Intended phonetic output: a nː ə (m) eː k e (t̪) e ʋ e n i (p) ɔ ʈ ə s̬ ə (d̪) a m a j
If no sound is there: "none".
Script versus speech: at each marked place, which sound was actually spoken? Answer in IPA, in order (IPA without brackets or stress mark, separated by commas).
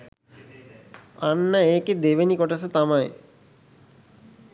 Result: none, d̪, k, t̪